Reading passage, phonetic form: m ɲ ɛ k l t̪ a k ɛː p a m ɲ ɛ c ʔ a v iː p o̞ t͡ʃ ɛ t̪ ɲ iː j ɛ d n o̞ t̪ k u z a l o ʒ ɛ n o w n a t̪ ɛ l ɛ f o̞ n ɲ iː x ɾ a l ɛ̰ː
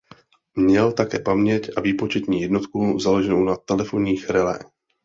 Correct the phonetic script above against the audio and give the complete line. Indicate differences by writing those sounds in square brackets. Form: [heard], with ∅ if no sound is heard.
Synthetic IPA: m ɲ ɛ [∅] l t̪ a k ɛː p a m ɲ ɛ c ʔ a v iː p o̞ t͡ʃ ɛ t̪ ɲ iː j ɛ d n o̞ t̪ k u z a l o ʒ ɛ n o w n a t̪ ɛ l ɛ f o̞ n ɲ iː x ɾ [ɛ] l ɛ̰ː